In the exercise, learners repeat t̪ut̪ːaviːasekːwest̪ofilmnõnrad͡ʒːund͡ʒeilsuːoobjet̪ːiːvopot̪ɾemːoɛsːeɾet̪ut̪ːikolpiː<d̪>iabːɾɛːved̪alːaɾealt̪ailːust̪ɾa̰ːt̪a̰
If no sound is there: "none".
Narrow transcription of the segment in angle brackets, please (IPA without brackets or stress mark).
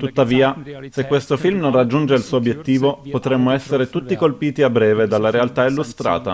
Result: t̪